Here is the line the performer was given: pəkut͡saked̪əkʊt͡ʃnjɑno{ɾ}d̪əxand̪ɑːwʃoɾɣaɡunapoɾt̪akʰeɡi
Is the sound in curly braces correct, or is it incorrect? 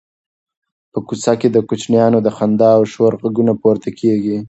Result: incorrect